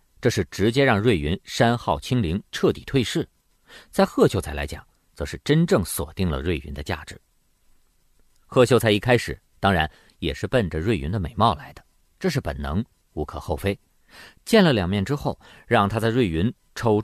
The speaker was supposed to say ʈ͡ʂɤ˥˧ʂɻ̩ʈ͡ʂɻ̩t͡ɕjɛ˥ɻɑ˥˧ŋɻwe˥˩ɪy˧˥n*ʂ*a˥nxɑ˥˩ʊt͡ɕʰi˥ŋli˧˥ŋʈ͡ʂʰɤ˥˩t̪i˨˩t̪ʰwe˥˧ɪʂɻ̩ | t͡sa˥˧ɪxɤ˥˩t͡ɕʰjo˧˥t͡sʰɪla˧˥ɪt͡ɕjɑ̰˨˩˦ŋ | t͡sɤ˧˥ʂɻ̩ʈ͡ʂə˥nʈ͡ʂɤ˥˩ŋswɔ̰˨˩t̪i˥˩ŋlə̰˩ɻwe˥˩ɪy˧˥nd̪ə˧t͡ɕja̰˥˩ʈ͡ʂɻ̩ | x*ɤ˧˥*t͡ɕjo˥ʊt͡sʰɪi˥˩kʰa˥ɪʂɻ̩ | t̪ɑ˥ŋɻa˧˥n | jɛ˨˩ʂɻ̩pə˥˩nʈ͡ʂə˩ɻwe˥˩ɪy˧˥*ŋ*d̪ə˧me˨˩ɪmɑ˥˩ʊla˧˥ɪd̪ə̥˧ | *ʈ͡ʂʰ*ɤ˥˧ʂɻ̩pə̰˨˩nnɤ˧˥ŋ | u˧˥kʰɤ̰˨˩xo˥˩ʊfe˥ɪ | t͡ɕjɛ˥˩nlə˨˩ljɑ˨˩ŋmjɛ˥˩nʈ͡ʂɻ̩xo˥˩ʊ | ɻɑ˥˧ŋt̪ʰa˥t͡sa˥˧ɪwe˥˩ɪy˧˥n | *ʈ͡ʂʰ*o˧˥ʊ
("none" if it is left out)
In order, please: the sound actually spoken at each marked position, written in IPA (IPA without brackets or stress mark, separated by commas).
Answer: ʂ, ɤ˥˩, n, ʈ͡ʂ, ʈ͡ʂʰ